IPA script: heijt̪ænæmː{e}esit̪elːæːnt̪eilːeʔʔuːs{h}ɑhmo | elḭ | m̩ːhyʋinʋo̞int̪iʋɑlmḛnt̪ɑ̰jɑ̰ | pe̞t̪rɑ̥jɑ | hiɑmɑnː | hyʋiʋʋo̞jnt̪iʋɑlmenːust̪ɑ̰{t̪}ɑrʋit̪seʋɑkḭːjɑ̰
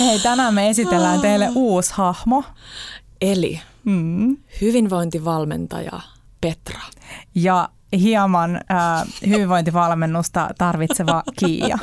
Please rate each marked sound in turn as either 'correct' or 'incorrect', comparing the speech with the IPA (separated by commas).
correct, correct, correct